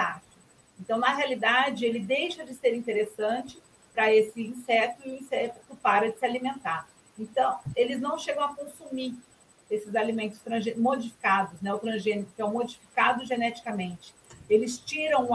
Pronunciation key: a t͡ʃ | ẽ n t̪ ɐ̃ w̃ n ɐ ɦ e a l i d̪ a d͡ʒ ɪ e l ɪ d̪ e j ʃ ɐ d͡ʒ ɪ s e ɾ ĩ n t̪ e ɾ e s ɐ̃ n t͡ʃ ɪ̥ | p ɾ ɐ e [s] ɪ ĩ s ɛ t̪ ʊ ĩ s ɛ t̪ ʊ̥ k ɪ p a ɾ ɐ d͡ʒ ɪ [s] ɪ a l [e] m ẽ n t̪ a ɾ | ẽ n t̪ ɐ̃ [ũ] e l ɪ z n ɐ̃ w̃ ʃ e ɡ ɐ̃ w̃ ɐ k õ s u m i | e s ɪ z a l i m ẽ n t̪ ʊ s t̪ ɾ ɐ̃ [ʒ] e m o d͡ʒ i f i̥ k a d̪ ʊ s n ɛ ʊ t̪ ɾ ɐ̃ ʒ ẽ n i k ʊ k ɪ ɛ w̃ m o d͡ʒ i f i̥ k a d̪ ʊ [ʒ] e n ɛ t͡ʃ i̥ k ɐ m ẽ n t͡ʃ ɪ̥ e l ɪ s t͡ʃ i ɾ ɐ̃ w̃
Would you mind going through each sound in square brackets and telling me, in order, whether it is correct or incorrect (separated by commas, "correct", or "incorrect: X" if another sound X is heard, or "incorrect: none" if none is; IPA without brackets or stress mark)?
correct, correct, incorrect: i, incorrect: w̃, correct, correct